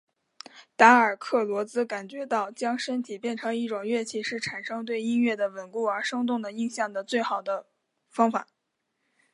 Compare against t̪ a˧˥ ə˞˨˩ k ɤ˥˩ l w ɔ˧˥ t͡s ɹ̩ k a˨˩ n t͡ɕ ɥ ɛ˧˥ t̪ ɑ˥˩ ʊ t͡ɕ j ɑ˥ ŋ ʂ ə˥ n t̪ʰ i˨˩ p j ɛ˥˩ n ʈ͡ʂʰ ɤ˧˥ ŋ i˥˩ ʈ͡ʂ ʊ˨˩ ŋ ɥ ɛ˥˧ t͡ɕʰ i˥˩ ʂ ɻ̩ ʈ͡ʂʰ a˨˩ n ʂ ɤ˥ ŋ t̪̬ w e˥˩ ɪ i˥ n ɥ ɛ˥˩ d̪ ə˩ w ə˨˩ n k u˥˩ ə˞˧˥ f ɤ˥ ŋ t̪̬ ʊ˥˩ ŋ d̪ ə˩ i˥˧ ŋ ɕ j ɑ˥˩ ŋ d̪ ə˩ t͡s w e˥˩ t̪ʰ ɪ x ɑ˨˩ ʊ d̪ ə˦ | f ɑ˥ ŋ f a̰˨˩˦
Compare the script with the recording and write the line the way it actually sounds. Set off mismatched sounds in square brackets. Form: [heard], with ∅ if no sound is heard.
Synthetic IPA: t̪ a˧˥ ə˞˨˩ [kʰ] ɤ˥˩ l w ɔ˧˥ t͡s ɹ̩ k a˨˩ n t͡ɕ ɥ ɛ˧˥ t̪ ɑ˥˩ ʊ t͡ɕ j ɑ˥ ŋ ʂ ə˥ n t̪ʰ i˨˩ p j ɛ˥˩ n ʈ͡ʂʰ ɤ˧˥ ŋ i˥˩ ʈ͡ʂ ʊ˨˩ ŋ ɥ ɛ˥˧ t͡ɕʰ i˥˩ ʂ ɻ̩ ʈ͡ʂʰ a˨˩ n ʂ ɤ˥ ŋ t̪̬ w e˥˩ ɪ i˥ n ɥ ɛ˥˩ d̪ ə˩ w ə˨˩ n k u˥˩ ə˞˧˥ [ʂ] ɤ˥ ŋ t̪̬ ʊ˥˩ ŋ d̪ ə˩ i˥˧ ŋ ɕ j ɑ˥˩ ŋ d̪ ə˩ t͡s w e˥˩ [∅] ɪ x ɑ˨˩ ʊ d̪ ə˦ | f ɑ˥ ŋ f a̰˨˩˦